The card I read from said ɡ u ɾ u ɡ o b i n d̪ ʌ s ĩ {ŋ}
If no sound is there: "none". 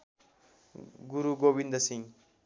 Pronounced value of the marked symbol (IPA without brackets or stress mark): ŋ